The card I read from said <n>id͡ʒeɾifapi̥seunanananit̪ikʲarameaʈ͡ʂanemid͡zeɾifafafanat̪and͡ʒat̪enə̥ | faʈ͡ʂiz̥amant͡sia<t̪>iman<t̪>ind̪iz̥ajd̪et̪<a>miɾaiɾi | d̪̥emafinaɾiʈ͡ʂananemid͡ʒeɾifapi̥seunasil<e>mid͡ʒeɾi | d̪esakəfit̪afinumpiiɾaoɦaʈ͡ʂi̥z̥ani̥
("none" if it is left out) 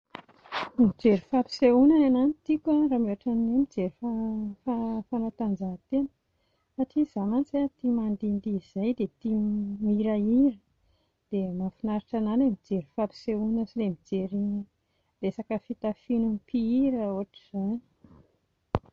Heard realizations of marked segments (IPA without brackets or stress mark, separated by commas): m, t̪, d̪, i, e